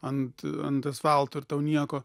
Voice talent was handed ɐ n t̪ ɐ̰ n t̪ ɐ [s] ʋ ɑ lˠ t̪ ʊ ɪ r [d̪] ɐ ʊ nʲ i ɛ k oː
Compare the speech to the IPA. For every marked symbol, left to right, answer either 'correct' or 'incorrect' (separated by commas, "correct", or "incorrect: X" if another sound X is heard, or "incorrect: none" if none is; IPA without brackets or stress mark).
correct, incorrect: t̪